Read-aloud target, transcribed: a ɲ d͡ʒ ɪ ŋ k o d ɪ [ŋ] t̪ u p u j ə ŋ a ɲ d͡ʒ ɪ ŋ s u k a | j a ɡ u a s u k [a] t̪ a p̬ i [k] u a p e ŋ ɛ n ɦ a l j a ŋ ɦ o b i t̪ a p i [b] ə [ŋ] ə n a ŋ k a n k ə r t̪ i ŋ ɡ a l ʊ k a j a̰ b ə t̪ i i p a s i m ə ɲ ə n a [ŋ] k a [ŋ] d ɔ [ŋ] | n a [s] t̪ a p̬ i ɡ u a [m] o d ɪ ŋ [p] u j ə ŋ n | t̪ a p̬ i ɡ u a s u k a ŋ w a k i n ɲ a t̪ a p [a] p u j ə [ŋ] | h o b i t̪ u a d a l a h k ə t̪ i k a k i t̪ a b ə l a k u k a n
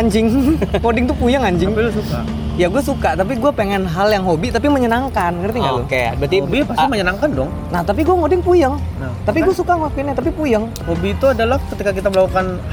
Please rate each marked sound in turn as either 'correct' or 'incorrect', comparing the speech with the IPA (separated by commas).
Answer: correct, correct, incorrect, incorrect, incorrect, correct, incorrect, correct, incorrect, incorrect, correct, incorrect, correct